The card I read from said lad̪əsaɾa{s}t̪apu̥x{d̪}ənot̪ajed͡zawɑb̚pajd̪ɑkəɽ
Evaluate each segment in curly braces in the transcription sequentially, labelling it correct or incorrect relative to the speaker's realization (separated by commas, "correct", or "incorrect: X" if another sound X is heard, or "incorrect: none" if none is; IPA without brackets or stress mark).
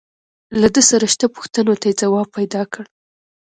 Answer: incorrect: ʃ, incorrect: t̪